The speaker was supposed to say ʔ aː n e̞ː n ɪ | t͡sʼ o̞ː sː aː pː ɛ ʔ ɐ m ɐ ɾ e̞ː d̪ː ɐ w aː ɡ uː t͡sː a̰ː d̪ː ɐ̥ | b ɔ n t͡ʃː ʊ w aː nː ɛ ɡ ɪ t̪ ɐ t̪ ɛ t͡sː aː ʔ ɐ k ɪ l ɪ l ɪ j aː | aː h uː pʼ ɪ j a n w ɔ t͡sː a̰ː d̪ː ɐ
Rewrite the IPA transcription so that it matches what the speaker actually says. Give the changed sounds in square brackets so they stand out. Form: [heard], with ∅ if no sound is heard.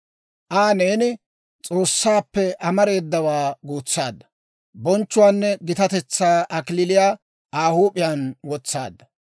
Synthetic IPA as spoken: ʔ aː n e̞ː n ɪ | t͡sʼ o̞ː sː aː pː ɛ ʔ ɐ m ɐ ɾ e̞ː d̪ː ɐ w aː ɡ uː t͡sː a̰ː d̪ː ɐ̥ | b ɔ n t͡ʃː ʊ w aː nː ɛ ɡ ɪ t̪ ɐ t̪ ɛ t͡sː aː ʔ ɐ k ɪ l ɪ l ɪ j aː | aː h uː pʼ ɪ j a n w ɔ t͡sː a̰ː d̪ː ɐ